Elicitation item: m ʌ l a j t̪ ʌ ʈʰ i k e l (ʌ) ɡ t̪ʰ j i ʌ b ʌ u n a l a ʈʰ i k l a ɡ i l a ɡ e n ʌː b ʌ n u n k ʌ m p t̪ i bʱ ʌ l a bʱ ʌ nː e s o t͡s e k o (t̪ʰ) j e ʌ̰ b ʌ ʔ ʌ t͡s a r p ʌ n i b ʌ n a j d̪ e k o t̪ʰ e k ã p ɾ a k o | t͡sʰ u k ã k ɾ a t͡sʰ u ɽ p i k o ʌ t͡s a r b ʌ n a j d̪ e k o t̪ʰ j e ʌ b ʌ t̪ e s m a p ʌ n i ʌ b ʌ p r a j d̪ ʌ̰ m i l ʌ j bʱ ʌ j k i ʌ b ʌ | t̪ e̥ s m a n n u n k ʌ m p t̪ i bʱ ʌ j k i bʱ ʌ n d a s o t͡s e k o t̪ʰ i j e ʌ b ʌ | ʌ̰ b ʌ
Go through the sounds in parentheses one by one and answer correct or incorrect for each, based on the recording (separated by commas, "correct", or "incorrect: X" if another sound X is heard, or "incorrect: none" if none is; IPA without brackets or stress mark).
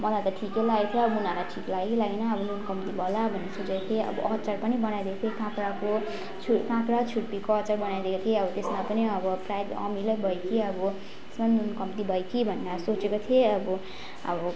incorrect: a, correct